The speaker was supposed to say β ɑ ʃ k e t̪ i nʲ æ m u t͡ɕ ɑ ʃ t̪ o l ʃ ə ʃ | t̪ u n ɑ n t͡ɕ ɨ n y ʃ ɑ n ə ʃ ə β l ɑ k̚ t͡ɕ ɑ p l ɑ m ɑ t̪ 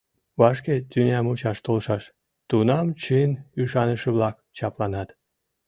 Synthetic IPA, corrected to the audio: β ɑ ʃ k e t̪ y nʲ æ m u t͡ɕ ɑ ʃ t̪ o l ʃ ɑ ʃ | t̪ u n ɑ m t͡ɕ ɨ n y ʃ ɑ n ə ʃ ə β l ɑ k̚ t͡ɕ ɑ p l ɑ n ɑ t̪